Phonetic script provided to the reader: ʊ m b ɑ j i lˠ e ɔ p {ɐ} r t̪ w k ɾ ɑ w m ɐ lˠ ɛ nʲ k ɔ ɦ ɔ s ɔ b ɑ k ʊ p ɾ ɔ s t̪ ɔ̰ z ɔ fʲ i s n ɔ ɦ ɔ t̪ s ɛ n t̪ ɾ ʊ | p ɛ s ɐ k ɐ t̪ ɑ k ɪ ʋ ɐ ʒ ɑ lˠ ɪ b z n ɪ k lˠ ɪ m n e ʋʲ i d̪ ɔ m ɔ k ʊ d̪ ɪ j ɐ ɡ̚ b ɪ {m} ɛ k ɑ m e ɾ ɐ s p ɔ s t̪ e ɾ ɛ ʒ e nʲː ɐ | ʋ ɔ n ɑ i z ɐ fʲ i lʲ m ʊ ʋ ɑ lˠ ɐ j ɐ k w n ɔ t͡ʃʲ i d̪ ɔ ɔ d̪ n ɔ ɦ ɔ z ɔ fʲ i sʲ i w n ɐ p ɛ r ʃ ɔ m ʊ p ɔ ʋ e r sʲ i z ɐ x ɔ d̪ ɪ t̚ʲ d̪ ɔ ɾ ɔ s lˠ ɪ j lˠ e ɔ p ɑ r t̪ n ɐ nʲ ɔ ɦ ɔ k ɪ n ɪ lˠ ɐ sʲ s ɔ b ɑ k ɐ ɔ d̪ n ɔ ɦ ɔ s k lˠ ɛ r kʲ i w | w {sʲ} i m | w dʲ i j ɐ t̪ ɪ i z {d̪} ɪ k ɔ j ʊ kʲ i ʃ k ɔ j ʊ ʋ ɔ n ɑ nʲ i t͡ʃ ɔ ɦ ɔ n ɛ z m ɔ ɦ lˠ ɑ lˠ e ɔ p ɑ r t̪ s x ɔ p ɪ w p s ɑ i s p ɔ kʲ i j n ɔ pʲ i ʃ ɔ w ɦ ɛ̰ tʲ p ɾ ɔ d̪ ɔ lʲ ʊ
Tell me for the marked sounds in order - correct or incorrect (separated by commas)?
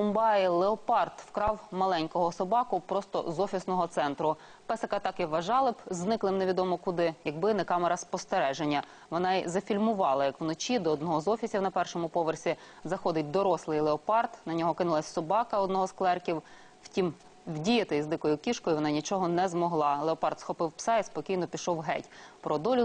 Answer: incorrect, incorrect, incorrect, correct